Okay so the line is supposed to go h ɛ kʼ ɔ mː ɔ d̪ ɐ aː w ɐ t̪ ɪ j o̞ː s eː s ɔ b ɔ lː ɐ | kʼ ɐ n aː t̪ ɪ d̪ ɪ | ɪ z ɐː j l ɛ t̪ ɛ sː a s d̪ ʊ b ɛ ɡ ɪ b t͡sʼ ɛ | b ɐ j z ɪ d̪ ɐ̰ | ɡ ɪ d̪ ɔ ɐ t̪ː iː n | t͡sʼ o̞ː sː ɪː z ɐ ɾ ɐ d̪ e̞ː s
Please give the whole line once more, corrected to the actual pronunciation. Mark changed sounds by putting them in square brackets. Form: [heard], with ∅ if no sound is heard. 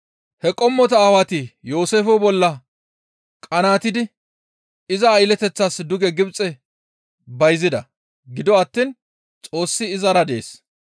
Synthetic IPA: h ɛ kʼ ɔ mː ɔ [t̪] ɐ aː w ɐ t̪ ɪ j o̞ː s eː [f] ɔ b ɔ lː ɐ | kʼ ɐ n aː t̪ ɪ d̪ ɪ | ɪ z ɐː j l ɛ t̪ ɛ [t͡sː] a s d̪ ʊ [ɡ] ɛ ɡ ɪ b t͡sʼ ɛ | b ɐ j z ɪ d̪ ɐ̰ | ɡ ɪ d̪ ɔ ɐ t̪ː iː n | t͡sʼ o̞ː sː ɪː z ɐ ɾ ɐ d̪ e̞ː s